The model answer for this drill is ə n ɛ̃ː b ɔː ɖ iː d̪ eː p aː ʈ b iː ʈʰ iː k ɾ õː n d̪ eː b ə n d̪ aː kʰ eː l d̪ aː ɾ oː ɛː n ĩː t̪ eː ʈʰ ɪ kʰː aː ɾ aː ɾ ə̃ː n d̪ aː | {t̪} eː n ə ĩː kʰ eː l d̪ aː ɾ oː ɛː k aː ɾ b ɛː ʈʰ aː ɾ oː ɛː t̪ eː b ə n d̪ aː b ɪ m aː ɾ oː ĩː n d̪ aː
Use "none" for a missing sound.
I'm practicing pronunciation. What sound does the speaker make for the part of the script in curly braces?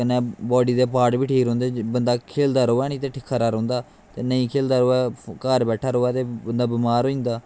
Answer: t̪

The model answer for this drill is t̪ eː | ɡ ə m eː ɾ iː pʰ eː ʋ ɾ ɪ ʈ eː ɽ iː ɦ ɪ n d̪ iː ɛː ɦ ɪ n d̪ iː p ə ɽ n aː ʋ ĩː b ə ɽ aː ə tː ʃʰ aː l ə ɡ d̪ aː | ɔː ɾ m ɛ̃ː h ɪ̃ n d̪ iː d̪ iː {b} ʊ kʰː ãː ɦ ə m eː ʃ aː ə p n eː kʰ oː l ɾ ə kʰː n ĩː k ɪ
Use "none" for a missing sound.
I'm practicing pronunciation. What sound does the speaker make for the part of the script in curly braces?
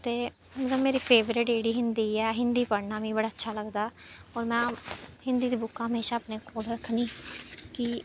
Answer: b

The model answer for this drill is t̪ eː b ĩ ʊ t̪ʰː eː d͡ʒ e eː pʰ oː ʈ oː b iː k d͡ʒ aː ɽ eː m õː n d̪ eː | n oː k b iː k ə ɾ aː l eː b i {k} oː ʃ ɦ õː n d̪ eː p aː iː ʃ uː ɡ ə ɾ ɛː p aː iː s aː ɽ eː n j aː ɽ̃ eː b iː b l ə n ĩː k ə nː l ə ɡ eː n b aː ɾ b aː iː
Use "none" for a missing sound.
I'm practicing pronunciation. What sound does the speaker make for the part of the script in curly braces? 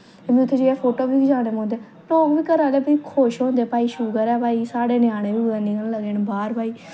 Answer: kʰ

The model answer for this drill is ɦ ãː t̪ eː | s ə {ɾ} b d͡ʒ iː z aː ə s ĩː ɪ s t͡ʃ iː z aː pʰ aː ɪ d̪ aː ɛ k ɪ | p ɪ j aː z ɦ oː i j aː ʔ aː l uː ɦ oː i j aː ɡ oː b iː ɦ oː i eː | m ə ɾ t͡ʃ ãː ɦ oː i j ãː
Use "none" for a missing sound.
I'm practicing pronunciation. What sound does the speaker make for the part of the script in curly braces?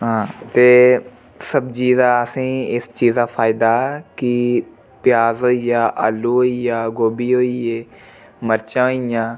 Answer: none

